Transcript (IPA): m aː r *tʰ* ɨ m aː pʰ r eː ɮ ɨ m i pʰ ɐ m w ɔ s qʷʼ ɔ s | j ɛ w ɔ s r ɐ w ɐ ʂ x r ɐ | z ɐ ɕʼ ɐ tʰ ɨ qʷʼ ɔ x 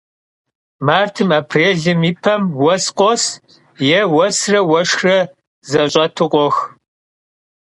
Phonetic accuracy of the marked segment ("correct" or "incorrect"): correct